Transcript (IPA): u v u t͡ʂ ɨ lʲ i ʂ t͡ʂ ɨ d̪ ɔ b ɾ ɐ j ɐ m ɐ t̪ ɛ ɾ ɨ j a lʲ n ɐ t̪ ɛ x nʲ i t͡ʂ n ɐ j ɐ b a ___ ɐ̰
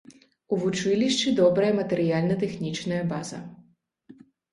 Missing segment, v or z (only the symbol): z